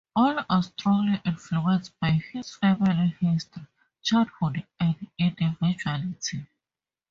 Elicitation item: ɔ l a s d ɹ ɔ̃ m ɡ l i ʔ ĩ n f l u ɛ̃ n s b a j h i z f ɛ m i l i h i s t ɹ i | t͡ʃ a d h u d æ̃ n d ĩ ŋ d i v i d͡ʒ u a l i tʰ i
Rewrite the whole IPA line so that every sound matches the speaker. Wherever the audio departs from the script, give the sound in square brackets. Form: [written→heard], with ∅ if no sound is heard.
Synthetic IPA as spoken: ɔ l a s [d→t] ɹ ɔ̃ [m→ŋ] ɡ l i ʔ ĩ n f l u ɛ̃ n s b a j h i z f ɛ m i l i h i s t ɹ i | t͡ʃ a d h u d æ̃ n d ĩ [ŋ→n] d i v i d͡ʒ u a l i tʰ i